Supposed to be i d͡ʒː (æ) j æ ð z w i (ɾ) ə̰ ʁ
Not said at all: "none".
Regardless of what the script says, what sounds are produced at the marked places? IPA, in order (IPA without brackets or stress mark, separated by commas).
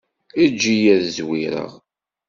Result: i, ɾ